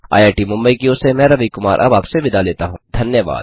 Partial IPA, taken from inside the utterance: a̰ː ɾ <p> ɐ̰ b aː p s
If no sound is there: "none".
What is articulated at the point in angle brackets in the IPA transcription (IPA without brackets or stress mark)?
ʔ